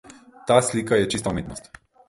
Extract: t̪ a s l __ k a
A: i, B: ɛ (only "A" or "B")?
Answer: A